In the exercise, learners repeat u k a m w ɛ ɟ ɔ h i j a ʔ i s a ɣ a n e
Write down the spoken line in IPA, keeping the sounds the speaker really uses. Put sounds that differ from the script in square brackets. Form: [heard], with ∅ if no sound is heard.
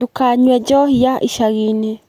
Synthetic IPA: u k a [ɲ] w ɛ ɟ ɔ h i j a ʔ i [ʃ] a ɣ [i] n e